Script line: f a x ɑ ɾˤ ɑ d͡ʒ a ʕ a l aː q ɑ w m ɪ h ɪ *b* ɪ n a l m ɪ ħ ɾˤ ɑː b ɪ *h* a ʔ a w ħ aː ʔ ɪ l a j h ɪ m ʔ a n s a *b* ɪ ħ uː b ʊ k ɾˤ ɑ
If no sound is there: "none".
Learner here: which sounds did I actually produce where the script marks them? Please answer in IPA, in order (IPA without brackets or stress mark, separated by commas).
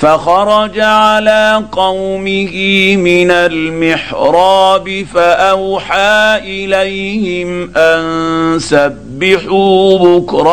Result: m, f, bː